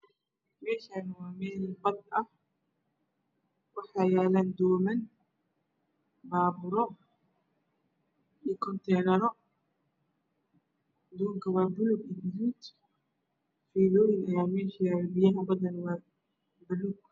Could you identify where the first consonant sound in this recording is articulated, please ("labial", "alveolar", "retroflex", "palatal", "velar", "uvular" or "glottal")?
labial